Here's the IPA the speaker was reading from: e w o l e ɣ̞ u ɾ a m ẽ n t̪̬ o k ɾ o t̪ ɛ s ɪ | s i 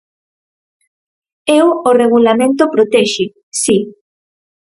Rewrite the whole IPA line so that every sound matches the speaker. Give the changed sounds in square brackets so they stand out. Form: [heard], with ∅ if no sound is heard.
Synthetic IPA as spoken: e w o [r] e ɣ̞ u [l] a m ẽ n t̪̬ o [p] ɾ o t̪ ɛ [ʃ] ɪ | s i